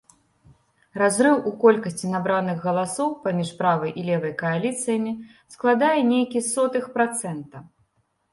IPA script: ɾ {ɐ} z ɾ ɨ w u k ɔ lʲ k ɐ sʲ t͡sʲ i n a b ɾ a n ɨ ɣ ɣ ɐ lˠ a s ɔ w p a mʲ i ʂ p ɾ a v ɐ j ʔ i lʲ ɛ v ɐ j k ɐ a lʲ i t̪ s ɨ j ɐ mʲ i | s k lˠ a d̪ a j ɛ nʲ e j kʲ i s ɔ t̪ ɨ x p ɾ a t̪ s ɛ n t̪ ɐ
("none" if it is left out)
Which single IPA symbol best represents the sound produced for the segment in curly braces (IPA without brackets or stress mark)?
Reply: a